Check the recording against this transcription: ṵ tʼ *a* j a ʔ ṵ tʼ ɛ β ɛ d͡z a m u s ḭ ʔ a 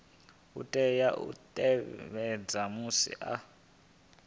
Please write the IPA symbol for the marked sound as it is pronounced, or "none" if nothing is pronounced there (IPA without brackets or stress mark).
ɛ